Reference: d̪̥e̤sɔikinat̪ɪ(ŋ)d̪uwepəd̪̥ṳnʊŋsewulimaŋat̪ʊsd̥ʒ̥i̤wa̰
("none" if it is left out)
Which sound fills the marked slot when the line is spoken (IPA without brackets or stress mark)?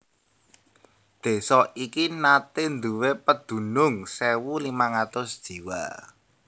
n